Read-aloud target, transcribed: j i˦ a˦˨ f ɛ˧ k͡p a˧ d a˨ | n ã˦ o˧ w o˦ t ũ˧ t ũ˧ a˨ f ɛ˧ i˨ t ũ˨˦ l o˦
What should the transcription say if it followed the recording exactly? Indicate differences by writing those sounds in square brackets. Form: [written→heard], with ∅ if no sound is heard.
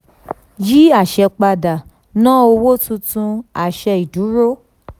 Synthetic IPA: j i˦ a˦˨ [f→ʃ] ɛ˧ k͡p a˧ d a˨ | n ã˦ o˧ w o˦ t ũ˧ t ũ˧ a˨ [f→ʃ] ɛ˧ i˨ [t→d] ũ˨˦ [l→ɾ] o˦